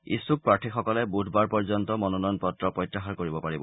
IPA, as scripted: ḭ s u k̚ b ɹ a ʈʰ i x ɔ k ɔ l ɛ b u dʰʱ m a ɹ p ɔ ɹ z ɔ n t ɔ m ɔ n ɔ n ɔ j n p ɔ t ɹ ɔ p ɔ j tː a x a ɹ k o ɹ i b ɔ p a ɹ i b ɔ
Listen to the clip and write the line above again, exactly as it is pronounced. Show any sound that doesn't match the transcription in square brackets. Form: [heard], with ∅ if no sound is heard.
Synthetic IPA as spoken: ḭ s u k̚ [p] ɹ a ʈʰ i x ɔ k ɔ l ɛ b u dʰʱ [b] a ɹ p ɔ ɹ z ɔ n t ɔ m ɔ n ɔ n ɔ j n p ɔ t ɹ ɔ p ɔ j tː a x a ɹ k o ɹ i b ɔ p a ɹ i b ɔ